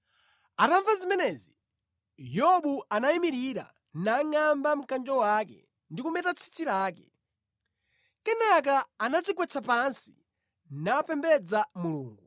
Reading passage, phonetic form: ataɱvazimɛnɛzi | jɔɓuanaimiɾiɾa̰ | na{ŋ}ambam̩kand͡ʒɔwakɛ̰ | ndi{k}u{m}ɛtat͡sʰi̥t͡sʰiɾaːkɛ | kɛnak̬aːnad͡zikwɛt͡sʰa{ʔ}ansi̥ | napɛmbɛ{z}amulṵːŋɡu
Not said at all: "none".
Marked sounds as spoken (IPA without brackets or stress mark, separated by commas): ŋ, k, m, p, d͡z